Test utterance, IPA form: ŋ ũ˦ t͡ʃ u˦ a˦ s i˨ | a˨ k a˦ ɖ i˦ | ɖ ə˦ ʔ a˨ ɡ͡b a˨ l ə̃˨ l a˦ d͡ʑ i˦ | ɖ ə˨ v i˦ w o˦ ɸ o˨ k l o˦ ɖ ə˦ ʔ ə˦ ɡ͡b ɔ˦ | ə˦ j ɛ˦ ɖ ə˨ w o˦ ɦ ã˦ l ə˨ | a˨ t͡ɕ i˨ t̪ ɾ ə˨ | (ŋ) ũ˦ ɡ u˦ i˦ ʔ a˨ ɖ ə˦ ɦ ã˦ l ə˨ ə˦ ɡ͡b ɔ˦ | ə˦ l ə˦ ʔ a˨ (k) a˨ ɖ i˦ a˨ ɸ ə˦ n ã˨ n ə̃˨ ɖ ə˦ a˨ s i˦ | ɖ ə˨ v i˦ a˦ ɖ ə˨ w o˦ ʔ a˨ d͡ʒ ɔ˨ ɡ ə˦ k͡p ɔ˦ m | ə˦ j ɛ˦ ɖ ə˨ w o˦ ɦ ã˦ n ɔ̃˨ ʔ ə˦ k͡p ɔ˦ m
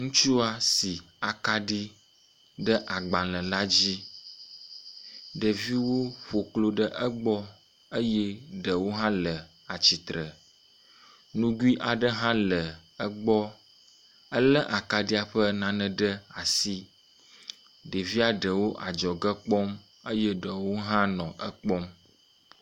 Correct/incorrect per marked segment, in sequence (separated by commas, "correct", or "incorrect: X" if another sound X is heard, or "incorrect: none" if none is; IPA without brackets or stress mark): incorrect: n, correct